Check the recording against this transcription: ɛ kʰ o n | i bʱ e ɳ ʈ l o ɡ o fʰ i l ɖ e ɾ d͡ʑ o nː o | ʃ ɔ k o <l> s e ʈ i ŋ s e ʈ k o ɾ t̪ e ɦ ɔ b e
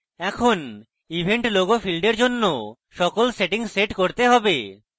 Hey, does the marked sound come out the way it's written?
yes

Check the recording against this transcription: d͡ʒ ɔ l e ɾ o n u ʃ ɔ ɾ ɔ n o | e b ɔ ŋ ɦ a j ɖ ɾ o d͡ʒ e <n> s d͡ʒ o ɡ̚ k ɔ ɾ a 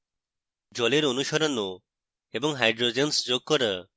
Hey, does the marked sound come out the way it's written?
yes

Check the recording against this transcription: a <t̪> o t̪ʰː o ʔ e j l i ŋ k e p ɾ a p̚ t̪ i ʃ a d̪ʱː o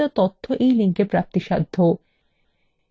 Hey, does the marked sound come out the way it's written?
yes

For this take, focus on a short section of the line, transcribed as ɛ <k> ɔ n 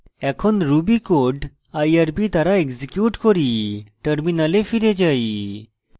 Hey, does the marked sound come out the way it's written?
no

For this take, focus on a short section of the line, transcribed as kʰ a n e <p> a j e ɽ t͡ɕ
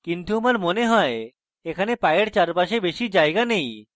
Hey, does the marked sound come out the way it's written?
yes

